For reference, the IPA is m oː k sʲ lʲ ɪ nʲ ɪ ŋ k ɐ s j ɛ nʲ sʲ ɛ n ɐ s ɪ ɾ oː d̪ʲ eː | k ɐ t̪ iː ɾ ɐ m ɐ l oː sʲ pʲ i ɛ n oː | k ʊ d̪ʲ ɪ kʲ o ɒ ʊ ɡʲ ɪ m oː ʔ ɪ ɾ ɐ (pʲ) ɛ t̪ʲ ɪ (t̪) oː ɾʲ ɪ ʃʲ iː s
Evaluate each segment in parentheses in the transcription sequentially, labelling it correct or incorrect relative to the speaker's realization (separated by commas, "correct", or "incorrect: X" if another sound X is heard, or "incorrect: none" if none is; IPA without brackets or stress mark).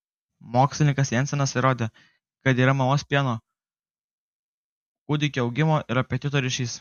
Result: correct, correct